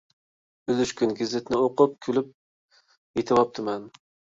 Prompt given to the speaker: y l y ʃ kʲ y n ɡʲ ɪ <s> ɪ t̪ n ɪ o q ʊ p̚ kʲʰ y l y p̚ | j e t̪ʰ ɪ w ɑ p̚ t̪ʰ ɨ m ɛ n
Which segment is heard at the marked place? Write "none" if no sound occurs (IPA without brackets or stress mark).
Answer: z